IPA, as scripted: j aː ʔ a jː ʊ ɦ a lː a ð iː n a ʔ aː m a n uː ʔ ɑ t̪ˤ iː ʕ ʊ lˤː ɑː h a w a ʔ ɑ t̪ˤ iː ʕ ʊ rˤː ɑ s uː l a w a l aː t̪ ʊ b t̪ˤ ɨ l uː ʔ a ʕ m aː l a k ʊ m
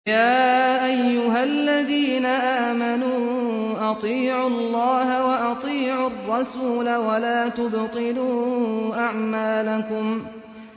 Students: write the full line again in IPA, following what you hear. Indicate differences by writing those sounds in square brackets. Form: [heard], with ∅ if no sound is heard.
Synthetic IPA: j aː ʔ a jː ʊ ɦ a lː a ð iː n a ʔ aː m a n uː ʔ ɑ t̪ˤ iː ʕ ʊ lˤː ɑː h a w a ʔ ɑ t̪ˤ iː ʕ ʊ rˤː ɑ s uː l a w a l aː t̪ ʊ b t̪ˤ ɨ l uː ʔ a ʕ m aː l a k ʊ m